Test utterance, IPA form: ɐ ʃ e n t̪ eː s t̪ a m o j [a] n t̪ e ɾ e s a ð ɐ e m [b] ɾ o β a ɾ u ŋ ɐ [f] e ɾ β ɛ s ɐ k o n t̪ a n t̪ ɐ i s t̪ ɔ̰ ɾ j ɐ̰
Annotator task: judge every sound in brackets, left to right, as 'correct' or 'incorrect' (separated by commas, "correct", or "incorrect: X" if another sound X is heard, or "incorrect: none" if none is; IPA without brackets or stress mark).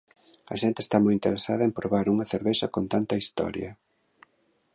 incorrect: i, incorrect: p, incorrect: θ